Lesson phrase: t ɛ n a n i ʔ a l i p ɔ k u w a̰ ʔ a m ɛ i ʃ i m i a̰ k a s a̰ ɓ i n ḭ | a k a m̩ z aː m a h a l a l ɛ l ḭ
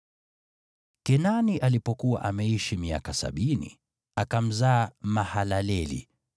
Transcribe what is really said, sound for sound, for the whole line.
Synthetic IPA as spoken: k ɛ n a n i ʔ a l i p ɔ k u w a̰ ʔ a m ɛ i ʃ i m i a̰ k a s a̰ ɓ i n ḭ | a k a m̩ z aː m a h a l a l ɛ l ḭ

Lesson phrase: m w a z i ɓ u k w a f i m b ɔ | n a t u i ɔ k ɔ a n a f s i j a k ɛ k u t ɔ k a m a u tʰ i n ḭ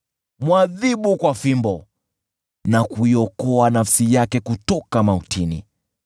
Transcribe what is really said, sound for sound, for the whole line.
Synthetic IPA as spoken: m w a ð i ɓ u k w a f i m b ɔ | n a k u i ɔ k ɔ a n a f s i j a k ɛ k u t ɔ k a m a u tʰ i n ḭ

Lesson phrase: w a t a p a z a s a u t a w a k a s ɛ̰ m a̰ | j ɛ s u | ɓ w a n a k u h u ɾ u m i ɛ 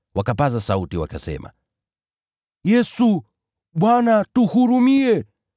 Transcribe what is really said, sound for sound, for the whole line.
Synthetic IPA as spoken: w a k a p a z a s a u t i w a k a s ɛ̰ m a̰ | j ɛ s u | ɓ w a n a t u h u ɾ u m i ɛ

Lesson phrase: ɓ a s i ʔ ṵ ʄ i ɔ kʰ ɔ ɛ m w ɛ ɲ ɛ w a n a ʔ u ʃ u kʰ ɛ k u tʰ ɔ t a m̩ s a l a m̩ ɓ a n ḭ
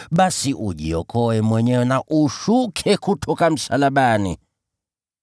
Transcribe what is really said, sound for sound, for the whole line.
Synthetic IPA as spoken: ɓ a s i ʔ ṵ ʄ i ɔ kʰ ɔ ɛ m w ɛ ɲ ɛ w ɛ n a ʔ u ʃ u kʰ ɛ k u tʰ ɔ k a m̩ s a l a ɓ a n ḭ

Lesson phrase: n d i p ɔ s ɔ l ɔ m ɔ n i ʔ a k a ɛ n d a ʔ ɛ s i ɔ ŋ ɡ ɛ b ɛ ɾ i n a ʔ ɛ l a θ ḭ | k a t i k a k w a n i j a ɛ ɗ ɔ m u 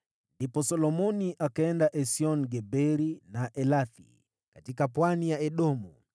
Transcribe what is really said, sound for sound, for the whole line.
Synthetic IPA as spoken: n d i p ɔ s ɔ l ɔ m ɔ n i ʔ a k a ɛ n d a ʔ ɛ s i ɔ n ɡ ɛ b ɛ ɾ i n a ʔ ɛ l a θ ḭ | k a t i k a p w a n i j a ɛ ɗ ɔ m u

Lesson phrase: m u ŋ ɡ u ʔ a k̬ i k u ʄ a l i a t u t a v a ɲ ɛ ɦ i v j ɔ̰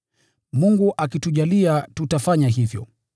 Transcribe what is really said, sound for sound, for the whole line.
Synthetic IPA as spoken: m u ŋ ɡ u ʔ a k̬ i t u ʄ a l i a t u t a f a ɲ a ɦ i v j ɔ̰

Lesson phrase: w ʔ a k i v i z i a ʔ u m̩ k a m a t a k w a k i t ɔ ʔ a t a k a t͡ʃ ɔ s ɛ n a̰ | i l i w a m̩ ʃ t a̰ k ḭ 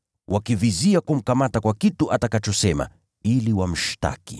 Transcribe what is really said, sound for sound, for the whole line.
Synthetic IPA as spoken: w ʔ a k i v i z i a k u m̩ k a m a t a k w a k i t u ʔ a t a k a t͡ʃ ɔ s ɛ m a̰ | i l i w a m̩ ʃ t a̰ k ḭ

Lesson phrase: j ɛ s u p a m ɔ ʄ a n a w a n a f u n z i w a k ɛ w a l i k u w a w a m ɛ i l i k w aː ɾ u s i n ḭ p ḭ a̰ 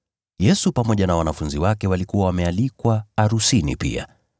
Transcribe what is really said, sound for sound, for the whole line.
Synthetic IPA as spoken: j ɛ s u p a m ɔ ʄ a n a w a n a f u n z i w a k ɛ w a l i k u w a w a m ɛ a l i k w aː ɾ u s i n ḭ p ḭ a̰

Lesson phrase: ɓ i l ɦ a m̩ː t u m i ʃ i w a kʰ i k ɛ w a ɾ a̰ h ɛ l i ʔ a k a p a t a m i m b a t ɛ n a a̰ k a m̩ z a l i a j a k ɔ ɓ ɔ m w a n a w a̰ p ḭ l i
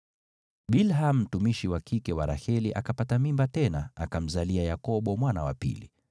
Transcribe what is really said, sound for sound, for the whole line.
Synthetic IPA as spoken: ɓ i l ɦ a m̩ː t u m i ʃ i w a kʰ i k ɛ w a ɾ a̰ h ɛ l i ʔ a k a p a t a m i m b a t ɛ n a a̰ k a m̩ z a l i a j a k ɔ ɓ ɔ m w a n a w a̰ p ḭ l i

